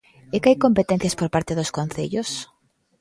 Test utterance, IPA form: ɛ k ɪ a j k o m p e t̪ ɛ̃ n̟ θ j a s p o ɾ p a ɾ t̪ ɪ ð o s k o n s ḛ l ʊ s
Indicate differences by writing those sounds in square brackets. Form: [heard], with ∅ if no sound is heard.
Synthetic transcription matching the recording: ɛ k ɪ a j k o m p e t̪ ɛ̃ n̟ θ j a s p o ɾ p a ɾ t̪ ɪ ð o s k o n [θ] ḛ [ʎ] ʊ s